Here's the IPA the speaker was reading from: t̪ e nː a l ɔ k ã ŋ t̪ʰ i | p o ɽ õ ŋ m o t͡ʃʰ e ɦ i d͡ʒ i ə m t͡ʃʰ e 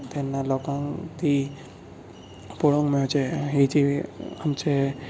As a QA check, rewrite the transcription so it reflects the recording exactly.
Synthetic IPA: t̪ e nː a l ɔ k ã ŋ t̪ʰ i | p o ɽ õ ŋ m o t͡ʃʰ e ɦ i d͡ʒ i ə m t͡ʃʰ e